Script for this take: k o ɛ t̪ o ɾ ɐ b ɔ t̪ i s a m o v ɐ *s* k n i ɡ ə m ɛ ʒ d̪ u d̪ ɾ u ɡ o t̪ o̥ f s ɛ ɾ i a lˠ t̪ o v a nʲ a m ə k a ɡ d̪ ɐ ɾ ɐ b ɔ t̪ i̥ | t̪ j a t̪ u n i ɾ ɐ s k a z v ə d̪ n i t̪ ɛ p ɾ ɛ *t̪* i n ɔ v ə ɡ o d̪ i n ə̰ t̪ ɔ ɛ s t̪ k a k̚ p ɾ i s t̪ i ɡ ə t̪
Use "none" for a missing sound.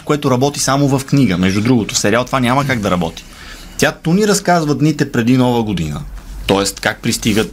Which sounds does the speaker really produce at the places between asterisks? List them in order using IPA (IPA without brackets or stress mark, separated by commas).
f, d̪